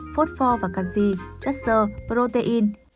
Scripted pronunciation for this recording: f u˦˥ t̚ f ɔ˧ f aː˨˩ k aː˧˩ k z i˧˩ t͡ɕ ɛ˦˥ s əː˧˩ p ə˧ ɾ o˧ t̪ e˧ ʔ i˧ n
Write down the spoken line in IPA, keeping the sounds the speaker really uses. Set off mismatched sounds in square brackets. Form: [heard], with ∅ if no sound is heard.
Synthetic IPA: f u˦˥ t̚ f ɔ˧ [v] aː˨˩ k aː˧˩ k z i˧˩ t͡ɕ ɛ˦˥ s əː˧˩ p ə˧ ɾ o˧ t̪ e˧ ʔ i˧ n